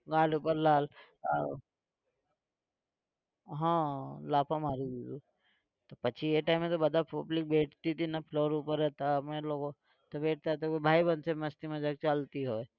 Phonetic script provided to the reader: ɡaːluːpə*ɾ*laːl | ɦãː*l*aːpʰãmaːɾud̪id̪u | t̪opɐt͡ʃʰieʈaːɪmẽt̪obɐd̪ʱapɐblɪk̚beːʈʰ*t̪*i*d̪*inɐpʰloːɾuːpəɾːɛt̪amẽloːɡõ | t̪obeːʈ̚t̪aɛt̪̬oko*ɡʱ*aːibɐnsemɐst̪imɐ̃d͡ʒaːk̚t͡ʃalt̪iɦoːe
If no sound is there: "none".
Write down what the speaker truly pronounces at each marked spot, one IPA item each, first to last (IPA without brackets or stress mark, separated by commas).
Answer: ɾ, l, t̪, t̪, bʱ